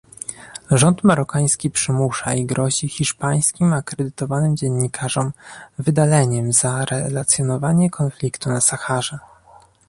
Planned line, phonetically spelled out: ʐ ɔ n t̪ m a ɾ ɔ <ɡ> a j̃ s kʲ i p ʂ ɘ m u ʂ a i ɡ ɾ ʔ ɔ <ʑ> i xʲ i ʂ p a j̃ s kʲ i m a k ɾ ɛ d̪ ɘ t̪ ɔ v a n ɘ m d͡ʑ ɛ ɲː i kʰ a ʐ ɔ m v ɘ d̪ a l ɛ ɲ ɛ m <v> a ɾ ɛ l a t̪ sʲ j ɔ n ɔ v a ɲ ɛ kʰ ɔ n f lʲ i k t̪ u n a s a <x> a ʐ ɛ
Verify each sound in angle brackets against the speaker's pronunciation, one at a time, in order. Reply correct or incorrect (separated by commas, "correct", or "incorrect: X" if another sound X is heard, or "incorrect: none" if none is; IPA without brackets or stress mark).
incorrect: k, correct, incorrect: z, correct